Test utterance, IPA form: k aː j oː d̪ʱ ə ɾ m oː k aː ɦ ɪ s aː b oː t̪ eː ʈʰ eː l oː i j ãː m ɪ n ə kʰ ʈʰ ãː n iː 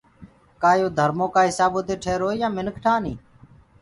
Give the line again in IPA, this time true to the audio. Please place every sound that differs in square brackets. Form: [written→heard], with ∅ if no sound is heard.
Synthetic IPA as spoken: k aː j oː d̪ʱ ə ɾ m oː k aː ɦ ɪ s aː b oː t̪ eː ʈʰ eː [l→ɾ] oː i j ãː m ɪ n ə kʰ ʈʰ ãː n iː

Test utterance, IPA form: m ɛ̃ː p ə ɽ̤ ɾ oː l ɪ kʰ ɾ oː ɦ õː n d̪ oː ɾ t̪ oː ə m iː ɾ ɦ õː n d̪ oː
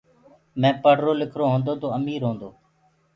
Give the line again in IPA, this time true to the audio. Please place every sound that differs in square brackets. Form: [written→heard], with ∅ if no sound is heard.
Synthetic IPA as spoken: m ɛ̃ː p ə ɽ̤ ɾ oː l ɪ kʰ ɾ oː ɦ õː n d̪ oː [ɾ→∅] t̪ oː ə m iː ɾ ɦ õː n d̪ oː

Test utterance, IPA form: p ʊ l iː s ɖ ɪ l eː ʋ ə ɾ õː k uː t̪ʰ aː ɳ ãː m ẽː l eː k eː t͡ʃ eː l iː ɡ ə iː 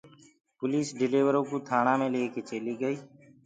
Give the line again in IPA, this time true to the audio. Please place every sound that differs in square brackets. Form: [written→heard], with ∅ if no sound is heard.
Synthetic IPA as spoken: p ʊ l iː s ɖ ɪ l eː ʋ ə ɾ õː k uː t̪ʰ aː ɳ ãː m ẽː l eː k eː t͡ʃ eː l iː ɡ ə iː

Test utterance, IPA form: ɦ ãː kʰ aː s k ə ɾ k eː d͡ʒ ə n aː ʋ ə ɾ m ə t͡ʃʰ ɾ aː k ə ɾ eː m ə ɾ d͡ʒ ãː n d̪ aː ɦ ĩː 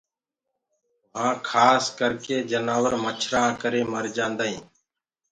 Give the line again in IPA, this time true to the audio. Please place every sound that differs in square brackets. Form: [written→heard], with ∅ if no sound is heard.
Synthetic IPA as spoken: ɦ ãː kʰ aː s k ə ɾ k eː d͡ʒ ə n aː ʋ ə ɾ m ə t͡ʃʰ ɾ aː k ə ɾ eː m ə ɾ d͡ʒ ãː n d̪ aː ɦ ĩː

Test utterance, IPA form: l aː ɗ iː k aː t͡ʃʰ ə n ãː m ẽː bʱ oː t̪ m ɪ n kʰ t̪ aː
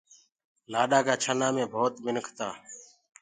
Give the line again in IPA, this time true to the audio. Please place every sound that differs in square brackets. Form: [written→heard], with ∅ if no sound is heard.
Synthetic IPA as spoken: l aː ɗ [iː→aː] k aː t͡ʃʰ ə n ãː m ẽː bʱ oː t̪ m ɪ n kʰ t̪ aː

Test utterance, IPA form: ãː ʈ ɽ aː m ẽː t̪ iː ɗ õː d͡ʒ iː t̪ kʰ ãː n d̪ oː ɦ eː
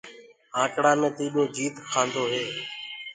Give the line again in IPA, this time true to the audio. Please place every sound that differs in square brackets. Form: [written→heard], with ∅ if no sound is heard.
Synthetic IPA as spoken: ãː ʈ ɽ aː m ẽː t̪ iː ɗ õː d͡ʒ iː t̪ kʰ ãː n d̪ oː ɦ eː

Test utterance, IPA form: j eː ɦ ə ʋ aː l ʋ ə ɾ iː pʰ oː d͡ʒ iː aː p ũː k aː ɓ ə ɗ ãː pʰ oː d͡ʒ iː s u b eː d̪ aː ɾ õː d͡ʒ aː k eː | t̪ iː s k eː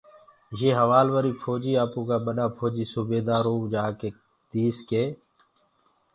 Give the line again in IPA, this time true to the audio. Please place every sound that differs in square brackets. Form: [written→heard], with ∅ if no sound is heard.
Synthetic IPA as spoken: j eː ɦ ə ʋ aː l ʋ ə ɾ iː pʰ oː d͡ʒ iː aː p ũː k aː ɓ ə ɗ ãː pʰ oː d͡ʒ iː s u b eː d̪ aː ɾ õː d͡ʒ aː k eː | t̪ iː s k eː

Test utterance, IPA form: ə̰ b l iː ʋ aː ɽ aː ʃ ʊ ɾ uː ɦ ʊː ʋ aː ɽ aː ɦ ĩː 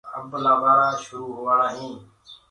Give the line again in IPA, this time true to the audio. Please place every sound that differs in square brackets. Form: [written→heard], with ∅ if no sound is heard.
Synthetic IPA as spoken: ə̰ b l [iː→aː] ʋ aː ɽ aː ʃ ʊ ɾ uː ɦ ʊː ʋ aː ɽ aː ɦ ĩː

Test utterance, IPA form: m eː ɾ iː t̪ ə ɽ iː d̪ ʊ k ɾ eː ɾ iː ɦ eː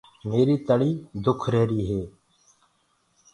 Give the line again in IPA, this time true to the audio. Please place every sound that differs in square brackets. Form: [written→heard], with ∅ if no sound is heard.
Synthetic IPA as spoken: m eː ɾ iː t̪ ə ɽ iː d̪ ʊ [k→kʰ] ɾ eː ɾ iː ɦ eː

